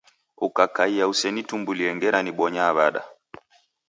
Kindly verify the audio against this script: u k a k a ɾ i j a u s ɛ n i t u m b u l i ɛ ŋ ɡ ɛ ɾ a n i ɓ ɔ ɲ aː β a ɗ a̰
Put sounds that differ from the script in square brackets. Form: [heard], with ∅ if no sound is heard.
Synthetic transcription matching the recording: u k a k a [∅] i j a u s ɛ n i t u m b u l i ɛ ŋ ɡ ɛ ɾ a n i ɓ ɔ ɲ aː β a ɗ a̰